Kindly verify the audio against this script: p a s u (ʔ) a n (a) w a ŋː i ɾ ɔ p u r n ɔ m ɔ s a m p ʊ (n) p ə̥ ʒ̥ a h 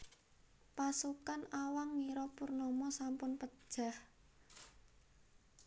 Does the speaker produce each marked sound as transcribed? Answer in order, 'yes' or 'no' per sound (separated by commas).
no, yes, yes